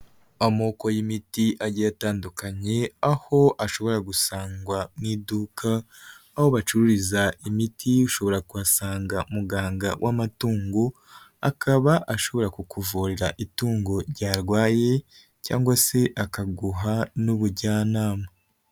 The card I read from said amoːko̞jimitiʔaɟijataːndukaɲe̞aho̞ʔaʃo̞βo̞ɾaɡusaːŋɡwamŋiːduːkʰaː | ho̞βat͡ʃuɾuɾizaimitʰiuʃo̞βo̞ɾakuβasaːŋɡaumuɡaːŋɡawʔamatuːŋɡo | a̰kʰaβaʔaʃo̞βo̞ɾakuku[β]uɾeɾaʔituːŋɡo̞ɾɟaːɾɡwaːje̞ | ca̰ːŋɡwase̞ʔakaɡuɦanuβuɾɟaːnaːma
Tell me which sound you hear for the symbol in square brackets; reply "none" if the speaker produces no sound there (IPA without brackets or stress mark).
v